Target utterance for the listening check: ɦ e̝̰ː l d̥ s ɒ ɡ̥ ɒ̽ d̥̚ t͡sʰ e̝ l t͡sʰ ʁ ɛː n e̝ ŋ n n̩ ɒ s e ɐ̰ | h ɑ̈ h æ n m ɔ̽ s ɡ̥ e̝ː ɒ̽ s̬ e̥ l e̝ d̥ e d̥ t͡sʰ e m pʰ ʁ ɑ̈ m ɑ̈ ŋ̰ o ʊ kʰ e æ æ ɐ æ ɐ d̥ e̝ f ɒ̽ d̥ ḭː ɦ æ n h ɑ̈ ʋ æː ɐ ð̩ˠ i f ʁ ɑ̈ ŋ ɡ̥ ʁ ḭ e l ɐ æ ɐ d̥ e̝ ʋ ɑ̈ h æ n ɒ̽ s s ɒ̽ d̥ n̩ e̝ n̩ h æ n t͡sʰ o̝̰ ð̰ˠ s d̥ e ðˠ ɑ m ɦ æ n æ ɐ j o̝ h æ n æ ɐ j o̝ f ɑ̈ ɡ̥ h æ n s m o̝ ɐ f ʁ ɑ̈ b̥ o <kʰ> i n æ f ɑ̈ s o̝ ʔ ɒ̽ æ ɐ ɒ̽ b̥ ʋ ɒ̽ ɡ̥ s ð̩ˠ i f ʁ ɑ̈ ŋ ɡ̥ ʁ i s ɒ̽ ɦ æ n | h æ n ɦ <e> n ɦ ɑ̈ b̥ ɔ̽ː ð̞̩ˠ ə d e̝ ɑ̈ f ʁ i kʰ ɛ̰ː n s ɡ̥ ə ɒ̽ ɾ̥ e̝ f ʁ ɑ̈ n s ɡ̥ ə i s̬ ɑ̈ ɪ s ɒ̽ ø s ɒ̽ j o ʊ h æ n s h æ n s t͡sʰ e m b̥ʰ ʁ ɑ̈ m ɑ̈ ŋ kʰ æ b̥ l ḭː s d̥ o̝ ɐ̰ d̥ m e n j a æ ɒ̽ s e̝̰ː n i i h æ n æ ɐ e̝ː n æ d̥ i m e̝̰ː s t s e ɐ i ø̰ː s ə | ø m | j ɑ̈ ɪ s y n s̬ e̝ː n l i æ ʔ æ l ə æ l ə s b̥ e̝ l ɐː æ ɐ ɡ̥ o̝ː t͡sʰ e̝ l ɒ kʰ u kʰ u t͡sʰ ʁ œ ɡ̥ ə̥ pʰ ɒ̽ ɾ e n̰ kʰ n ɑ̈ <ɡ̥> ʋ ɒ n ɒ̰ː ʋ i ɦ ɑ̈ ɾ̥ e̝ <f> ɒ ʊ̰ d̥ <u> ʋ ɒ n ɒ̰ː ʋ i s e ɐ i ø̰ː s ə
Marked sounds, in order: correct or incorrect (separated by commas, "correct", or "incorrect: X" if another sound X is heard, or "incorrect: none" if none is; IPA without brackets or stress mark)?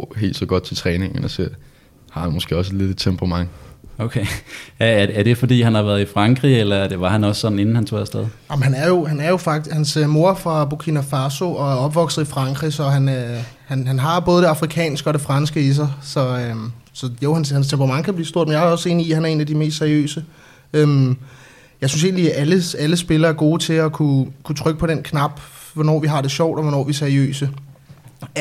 correct, incorrect: æ, incorrect: b̥, incorrect: ɕ, incorrect: ɒ